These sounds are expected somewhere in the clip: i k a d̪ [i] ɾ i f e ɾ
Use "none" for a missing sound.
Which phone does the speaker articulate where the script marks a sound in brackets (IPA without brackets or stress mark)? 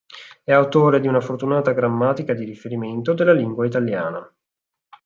i